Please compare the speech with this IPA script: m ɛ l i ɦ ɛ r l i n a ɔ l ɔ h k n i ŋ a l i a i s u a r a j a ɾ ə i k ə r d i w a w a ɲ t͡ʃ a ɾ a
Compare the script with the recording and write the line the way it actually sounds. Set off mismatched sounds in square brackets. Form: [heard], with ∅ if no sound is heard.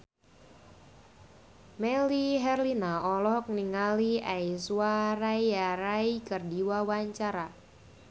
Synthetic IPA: m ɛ l i ɦ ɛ r l i n a ɔ l ɔ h k n i ŋ a l i a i s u a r a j a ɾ [a] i k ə r d i w a w a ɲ t͡ʃ a ɾ a